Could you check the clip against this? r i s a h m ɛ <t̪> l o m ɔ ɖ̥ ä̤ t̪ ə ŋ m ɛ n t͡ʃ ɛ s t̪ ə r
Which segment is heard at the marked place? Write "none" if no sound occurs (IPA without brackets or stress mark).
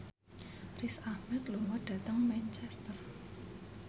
t̪